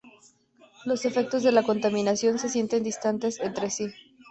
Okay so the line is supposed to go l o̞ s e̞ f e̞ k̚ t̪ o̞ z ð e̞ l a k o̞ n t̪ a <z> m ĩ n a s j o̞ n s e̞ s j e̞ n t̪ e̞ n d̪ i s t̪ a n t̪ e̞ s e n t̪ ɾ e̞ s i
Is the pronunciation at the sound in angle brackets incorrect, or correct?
incorrect